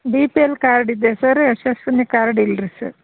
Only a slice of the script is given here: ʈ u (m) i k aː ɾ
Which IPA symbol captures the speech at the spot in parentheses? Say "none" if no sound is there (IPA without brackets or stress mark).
n